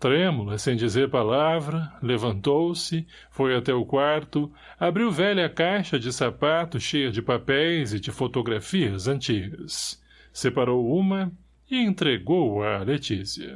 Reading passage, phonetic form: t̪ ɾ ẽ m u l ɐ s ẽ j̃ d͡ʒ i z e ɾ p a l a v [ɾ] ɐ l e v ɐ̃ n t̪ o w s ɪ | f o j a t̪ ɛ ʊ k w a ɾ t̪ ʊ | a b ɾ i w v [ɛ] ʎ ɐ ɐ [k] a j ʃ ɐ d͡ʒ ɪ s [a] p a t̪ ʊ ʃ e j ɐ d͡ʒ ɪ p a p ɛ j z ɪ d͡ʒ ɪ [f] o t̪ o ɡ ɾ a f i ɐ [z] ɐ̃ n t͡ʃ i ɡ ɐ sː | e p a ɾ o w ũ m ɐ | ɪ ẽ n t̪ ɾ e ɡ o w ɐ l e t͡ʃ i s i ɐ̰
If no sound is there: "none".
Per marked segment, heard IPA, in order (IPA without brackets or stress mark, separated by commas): ɾ, ɛ, k, a, f, z